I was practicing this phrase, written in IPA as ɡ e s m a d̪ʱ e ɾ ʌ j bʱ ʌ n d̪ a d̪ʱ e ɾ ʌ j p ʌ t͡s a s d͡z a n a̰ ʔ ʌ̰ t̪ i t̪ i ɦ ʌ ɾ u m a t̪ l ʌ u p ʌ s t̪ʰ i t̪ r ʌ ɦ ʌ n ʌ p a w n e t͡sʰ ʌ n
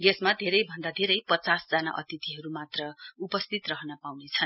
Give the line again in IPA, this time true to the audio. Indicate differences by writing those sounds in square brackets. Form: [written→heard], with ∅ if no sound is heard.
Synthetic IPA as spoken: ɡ e s m a d̪ʱ e ɾ ʌ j bʱ ʌ n d̪ a d̪ʱ e ɾ ʌ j p ʌ t͡s a s d͡z a n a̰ ʔ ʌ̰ t̪ i t̪ i ɦ ʌ ɾ u m a t̪ [l→r] ʌ u p ʌ s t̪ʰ i t̪ r ʌ ɦ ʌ n ʌ p a w n e t͡sʰ ʌ n